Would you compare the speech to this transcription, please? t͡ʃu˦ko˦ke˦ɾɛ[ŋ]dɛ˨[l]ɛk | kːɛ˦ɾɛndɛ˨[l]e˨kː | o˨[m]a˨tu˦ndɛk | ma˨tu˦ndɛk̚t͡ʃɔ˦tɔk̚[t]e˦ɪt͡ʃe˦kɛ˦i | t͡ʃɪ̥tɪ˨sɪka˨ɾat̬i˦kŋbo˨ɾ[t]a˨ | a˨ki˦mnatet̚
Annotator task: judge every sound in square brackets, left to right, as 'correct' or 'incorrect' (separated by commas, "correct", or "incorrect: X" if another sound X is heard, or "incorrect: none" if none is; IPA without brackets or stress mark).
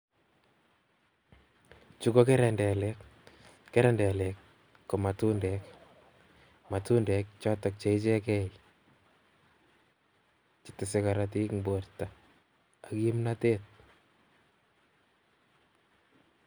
incorrect: n, correct, correct, correct, incorrect: t͡ʃ, correct